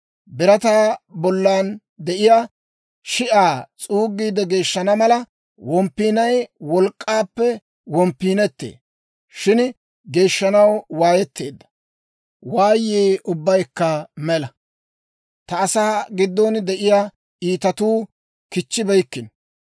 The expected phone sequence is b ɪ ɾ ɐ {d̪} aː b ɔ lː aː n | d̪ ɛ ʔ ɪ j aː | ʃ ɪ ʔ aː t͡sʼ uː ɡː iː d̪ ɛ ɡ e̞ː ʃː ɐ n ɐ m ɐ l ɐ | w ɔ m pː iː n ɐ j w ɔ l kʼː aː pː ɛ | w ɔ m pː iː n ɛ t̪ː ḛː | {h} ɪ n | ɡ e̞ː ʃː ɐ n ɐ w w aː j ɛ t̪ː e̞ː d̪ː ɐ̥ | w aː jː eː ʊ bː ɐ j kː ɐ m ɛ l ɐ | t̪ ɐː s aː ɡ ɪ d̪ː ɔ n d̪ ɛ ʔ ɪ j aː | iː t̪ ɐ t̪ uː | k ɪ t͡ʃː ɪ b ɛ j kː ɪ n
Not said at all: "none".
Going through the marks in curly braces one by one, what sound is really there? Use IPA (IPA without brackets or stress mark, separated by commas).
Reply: t̪, ʃ